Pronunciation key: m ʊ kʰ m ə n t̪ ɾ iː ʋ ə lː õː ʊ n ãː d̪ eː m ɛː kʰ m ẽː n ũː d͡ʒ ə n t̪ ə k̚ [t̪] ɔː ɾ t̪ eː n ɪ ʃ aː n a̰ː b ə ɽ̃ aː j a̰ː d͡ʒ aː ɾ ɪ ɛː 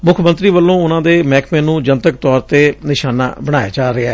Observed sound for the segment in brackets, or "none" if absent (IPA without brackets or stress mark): t̪